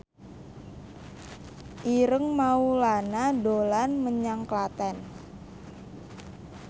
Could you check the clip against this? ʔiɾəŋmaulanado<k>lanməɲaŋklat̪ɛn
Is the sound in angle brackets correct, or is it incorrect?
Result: incorrect